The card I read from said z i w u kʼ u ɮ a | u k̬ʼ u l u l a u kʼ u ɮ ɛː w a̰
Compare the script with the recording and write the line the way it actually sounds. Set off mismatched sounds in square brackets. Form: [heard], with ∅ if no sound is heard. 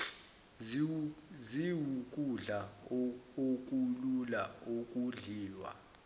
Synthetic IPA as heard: z i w u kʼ u ɮ a | [o] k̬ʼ u l u l a [o] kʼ u ɮ [iː] w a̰